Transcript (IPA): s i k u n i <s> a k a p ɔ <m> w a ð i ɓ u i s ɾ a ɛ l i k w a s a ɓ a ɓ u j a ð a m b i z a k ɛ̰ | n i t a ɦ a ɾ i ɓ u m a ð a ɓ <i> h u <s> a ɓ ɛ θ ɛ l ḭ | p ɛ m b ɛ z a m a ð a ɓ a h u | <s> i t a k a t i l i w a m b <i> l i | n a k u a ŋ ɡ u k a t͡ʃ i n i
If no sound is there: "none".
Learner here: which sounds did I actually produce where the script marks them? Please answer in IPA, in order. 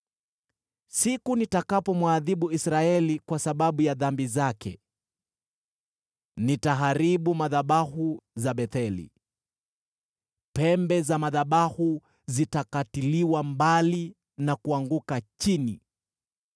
t, m, a, z, z, a

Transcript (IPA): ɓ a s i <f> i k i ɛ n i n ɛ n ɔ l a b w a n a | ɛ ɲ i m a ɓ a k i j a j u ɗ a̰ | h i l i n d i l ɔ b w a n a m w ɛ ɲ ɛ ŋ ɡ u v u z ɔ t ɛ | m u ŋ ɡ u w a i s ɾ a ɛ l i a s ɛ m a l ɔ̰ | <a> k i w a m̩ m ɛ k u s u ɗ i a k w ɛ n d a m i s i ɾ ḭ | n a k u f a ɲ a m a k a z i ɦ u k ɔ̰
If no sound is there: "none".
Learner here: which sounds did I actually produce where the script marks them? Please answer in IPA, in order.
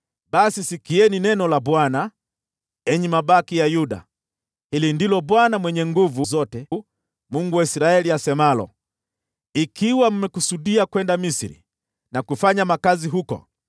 s, i

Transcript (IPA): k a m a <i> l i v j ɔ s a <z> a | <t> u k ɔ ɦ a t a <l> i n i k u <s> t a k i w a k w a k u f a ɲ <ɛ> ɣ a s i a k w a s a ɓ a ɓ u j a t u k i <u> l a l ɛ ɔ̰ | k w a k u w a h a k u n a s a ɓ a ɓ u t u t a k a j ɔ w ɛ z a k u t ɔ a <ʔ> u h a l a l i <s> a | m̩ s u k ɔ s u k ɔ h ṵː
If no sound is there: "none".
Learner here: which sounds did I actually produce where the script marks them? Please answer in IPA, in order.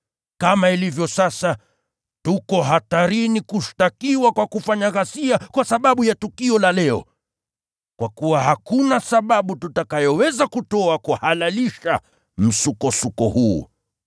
i, s, t, ɾ, ʃ, a, ɔ, k, ʃ

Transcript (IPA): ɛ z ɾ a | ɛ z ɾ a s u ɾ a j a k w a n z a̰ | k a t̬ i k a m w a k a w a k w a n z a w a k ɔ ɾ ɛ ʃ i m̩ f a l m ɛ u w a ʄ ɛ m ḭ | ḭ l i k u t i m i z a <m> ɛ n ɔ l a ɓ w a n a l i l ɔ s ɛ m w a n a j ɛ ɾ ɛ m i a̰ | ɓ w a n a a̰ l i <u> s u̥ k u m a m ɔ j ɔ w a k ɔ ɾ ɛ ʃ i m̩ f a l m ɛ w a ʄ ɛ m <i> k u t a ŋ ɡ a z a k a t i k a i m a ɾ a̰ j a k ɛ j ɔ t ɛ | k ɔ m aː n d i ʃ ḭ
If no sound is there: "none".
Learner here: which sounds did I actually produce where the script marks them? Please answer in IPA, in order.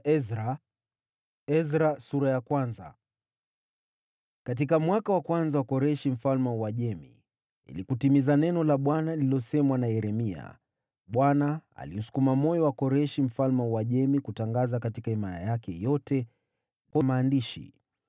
n, u, i

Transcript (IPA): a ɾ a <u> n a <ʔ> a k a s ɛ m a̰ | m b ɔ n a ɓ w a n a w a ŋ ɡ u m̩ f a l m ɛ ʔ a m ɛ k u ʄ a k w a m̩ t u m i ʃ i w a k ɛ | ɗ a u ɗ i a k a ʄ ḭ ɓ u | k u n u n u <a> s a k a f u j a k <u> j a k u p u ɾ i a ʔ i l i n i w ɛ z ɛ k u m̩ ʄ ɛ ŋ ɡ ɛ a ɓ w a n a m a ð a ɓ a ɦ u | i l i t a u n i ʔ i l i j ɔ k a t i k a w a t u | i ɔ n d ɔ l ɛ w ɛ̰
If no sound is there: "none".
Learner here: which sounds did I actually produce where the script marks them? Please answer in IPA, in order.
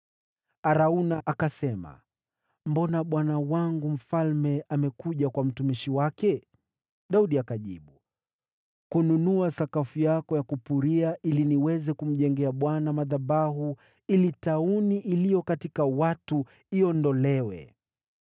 u, ʔ, a, ɔ

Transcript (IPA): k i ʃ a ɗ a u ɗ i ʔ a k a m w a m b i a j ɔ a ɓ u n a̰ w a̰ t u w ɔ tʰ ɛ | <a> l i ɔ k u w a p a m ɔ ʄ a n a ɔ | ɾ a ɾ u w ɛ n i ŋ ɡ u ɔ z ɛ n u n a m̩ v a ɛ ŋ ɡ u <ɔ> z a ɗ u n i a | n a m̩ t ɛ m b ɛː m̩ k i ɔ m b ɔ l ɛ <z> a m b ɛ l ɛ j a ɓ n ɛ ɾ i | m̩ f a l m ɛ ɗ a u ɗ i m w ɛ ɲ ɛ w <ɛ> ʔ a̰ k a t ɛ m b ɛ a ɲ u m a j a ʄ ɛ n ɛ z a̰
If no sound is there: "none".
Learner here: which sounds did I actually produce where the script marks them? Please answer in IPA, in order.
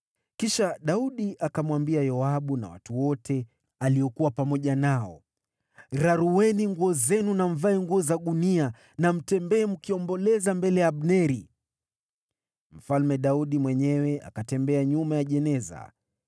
a, ɔ, z, ɛ

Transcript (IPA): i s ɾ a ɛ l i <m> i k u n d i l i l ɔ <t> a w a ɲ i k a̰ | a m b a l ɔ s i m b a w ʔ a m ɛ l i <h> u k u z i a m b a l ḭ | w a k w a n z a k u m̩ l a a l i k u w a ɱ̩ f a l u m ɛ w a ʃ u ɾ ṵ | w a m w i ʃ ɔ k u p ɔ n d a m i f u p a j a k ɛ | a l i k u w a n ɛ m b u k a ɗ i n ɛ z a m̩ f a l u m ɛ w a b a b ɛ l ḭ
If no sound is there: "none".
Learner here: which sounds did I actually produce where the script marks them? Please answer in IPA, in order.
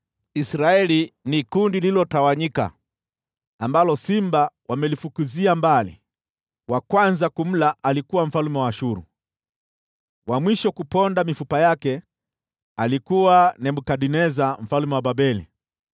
n, t, f

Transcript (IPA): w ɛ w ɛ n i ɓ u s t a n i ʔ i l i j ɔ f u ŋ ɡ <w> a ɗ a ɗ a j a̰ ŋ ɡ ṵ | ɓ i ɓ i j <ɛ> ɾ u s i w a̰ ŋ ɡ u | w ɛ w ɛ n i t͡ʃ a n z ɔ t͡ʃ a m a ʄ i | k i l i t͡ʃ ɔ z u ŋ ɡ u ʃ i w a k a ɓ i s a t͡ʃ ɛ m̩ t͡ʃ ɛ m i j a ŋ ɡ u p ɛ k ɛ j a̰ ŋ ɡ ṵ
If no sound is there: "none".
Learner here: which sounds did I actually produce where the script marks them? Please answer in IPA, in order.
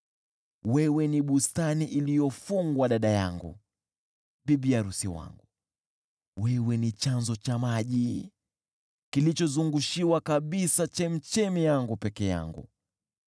w, a

